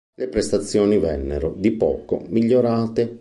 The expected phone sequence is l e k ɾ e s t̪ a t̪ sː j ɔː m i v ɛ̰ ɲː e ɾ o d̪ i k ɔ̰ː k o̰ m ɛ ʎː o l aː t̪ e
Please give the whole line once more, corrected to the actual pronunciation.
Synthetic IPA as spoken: l e p ɾ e s t̪ a t̪ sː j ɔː n i v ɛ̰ nː e ɾ o d̪ i p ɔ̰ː k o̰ m i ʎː o ɾ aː t̪ e